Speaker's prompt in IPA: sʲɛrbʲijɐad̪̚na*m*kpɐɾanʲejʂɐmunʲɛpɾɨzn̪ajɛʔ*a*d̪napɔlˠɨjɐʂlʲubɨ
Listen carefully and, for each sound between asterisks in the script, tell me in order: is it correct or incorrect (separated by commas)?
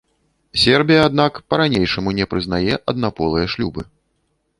incorrect, incorrect